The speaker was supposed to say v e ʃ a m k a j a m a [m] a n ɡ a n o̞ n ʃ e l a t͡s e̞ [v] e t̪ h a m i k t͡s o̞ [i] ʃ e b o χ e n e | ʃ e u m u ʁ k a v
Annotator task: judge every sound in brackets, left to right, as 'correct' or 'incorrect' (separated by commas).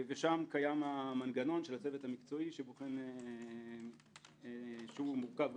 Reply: correct, correct, correct